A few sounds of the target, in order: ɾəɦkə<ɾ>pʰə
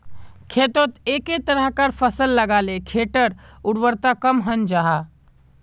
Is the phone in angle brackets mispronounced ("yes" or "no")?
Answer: no